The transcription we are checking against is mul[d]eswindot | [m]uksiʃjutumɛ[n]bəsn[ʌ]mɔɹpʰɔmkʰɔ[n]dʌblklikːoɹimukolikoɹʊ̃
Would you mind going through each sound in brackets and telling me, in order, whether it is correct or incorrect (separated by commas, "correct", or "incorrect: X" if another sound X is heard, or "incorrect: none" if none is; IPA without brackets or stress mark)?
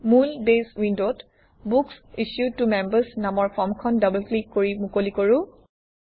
incorrect: b, incorrect: b, incorrect: m, incorrect: a, correct